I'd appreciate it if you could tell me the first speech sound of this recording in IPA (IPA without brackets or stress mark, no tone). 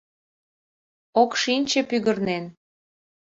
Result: o